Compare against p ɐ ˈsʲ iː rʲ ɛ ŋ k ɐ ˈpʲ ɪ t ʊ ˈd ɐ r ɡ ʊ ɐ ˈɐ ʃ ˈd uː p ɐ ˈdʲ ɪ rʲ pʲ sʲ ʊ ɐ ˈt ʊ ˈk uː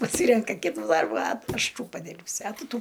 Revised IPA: p ɐ ˈsʲ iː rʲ ɛ ŋ k ɐ ˈkʲ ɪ t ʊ ˈd ɐ r b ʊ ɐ ˈɐ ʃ ˈt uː p ɐ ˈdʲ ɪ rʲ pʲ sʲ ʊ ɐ ˈt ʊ ˈt uː

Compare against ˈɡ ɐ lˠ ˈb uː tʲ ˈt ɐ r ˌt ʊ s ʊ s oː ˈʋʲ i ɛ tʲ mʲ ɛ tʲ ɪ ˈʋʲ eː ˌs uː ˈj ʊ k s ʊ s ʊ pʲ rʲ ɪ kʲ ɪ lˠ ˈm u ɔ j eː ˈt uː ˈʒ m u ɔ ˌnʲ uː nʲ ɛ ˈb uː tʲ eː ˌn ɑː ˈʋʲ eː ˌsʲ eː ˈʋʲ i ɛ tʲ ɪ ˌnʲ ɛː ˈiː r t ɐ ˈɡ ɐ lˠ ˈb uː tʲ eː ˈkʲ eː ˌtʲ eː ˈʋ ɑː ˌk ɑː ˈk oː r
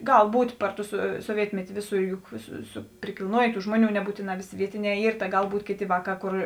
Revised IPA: ˈɡ ɐ lˠ ˈb uː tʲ ˈp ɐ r ˌt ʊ s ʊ s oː ˈʋʲ i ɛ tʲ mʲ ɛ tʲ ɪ ˈʋʲ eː ˌs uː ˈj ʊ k s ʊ s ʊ pʲ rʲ ɪ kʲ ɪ lˠ ˈn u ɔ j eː ˈt uː ˈʒ m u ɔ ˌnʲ uː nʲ ɛ ˈb uː tʲ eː ˌn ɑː ˈʋʲ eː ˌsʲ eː ˈʋʲ i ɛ tʲ ɪ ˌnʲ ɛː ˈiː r t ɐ ˈɡ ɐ lˠ ˈb uː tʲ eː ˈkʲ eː ˌtʲ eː ˈʋ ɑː ˌk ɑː ˈk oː r

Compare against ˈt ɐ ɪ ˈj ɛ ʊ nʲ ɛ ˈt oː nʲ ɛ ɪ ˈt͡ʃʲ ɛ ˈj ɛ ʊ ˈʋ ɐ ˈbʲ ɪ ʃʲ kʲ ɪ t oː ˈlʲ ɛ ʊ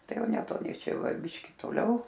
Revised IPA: ˈt ɐ ɪ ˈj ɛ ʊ nʲ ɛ ˈt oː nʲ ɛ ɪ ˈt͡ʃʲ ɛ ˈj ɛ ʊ ˈʋ ɐ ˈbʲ ɪ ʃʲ kʲ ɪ t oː ˈlʲ ɛ ʊ

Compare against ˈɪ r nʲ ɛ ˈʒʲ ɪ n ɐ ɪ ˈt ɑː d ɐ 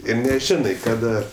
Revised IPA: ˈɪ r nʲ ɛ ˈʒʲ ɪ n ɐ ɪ ˈk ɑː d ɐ

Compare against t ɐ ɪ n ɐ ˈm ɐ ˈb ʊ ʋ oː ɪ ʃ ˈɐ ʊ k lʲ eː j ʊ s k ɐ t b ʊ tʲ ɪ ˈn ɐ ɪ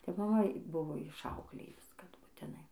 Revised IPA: t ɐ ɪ m ɐ ˈm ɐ ˈb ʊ ʋ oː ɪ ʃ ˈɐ ʊ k lʲ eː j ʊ s k ɐ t b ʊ tʲ ɪ ˈn ɐ ɪ

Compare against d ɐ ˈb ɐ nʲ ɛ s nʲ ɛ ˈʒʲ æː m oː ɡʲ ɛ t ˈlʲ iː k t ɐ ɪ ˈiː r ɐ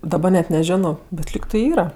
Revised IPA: d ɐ ˈb ɐ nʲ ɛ t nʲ ɛ ˈʒʲ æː n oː bʲ ɛ t ˈlʲ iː k t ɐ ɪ ˈiː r ɐ

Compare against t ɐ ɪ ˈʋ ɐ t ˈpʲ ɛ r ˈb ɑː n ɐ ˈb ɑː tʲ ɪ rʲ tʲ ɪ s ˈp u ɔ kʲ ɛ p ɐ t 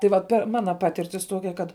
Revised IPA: t ɐ ɪ ˈʋ ɐ t ˈpʲ ɛ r ˈm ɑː n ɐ ˈp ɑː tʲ ɪ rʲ tʲ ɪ s ˈt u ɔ kʲ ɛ k ɐ t

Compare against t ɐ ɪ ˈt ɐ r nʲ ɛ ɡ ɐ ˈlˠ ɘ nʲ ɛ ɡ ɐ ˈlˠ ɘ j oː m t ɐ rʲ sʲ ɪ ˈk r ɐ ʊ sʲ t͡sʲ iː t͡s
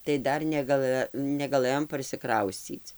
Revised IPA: t ɐ ɪ ˈd ɐ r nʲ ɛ ɡ ɐ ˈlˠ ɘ nʲ ɛ ɡ ɐ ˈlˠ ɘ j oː m p ɐ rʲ sʲ ɪ ˈk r ɐ ʊ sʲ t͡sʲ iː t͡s

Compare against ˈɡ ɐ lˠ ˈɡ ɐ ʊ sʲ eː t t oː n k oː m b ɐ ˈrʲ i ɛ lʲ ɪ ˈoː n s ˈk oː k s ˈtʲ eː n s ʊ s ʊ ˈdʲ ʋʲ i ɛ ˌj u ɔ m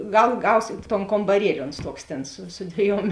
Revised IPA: ˈɡ ɐ lˠ ˈɡ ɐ ʊ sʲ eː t t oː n k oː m b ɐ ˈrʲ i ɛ lʲ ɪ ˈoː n s ˈt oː k s ˈtʲ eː n s ʊ s ʊ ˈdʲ ʋʲ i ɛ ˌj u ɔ m

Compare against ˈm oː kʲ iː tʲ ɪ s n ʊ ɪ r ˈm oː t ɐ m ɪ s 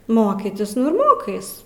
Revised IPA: ˈm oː kʲ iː tʲ ɪ s n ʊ ɪ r ˈm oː k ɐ ɪ s

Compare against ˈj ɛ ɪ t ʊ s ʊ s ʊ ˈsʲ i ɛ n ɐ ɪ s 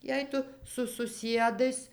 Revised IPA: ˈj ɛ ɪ t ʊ s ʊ s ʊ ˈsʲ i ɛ d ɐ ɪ s

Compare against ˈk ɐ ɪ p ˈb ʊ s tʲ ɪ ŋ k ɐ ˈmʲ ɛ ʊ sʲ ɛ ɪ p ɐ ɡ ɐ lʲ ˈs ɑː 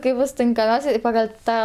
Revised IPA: ˈk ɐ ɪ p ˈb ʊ s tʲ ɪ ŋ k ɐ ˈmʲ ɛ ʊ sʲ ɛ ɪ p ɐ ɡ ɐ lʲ ˈt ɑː

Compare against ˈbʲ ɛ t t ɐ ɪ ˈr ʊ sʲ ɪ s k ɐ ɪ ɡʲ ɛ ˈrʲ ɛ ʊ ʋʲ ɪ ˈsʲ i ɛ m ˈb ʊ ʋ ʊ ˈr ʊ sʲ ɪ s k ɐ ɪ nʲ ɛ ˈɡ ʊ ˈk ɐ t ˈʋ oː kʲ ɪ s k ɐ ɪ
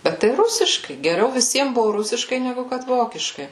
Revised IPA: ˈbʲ ɛ t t ɐ ɪ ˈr ʊ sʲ ɪ ʃ k ɐ ɪ ɡʲ ɛ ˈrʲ ɛ ʊ ʋʲ ɪ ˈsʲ i ɛ m ˈb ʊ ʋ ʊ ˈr ʊ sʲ ɪ ʃ k ɐ ɪ nʲ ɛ ˈɡ ʊ ˈk ɐ t ˈʋ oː kʲ ɪ ʃ k ɐ ɪ

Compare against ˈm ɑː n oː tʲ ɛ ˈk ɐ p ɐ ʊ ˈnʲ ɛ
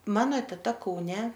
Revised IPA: ˈm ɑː n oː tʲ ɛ ˈt ɐ k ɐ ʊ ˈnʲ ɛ

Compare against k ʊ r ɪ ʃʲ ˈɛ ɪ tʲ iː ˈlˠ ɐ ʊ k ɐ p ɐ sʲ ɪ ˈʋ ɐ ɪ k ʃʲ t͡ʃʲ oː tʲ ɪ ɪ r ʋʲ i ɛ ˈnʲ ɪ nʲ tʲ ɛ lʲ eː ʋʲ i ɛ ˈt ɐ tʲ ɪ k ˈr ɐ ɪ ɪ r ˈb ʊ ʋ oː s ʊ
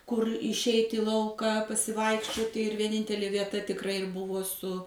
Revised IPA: k ʊ r ɪ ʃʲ ˈɛ ɪ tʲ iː ˈlˠ ɐ ʊ k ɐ p ɐ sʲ ɪ ˈʋ ɐ ɪ k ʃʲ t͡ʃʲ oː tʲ ɪ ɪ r ʋʲ i ɛ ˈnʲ ɪ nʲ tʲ ɛ lʲ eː ʋʲ i ɛ ˈt ɐ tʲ ɪ k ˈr ɐ ɪ ɪ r ˈb ʊ ʋ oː s ʊ

